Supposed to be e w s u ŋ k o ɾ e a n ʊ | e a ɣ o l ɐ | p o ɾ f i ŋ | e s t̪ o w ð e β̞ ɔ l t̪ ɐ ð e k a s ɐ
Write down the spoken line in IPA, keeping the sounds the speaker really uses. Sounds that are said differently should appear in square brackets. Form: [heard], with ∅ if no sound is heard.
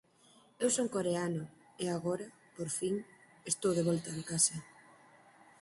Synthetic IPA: e w s [o] ŋ k o ɾ e a n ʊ | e a ɣ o [ɾ] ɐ | p o ɾ f i ŋ | e s t̪ o w ð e β̞ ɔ l t̪ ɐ ð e k a s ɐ